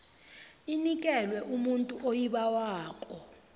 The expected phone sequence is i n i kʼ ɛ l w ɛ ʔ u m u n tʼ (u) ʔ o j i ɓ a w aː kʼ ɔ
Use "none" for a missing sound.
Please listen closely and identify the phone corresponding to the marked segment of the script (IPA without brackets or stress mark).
u